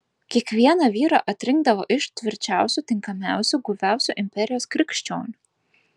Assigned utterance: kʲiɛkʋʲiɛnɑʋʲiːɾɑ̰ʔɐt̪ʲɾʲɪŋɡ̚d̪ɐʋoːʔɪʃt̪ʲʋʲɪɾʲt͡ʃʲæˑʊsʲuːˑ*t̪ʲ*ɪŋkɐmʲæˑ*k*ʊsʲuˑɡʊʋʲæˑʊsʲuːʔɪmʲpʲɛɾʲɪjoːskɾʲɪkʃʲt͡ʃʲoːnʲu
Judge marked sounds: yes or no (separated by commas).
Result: yes, no